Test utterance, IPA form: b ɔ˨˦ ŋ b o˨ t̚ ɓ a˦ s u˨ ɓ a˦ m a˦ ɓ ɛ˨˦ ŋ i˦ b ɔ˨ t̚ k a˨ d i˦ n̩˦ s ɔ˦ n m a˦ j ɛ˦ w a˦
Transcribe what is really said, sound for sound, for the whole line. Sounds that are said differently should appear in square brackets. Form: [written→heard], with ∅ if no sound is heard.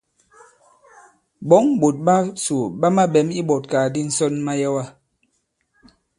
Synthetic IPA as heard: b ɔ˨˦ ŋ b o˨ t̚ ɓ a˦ s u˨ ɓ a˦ m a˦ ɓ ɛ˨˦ [ŋ→m] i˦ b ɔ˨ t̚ k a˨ d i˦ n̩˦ s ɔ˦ n m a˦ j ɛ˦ w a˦